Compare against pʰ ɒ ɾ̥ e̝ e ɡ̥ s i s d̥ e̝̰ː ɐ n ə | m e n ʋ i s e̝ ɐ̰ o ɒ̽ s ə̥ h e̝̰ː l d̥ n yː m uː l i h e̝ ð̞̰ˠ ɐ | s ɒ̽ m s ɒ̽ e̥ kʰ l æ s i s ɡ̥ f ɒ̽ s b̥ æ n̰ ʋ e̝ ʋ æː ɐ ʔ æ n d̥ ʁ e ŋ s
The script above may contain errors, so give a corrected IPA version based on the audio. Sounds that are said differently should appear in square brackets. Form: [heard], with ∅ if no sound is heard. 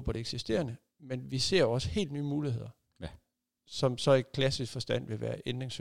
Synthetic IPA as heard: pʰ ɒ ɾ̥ e̝ e ɡ̥ s i s d̥ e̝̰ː ɐ n ə | m e n ʋ i s e̝ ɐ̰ o ɒ̽ s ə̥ h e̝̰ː l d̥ n yː m uː l i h e̝ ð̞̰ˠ ɐ | s ɒ̽ m s ɒ̽ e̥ kʰ l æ s i s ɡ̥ f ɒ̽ s [d̥] æ n̰ ʋ e̝ ʋ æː ɐ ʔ [e] n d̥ ʁ e ŋ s